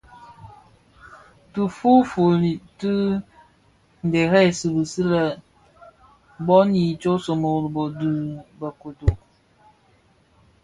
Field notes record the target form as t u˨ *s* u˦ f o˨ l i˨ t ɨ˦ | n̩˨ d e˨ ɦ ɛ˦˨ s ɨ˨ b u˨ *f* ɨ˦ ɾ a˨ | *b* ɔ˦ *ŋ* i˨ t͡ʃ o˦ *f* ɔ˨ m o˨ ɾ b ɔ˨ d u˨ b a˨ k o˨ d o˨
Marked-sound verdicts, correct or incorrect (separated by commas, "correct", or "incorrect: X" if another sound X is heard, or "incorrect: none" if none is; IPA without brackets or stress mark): incorrect: f, incorrect: s, correct, incorrect: n, incorrect: s